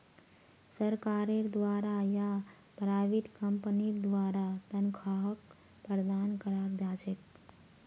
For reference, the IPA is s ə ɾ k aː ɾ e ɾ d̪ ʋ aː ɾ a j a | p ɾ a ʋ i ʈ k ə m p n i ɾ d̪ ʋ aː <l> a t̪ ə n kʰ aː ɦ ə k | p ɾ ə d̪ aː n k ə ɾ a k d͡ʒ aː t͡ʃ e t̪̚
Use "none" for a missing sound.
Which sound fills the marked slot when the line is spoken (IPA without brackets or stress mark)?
ɾ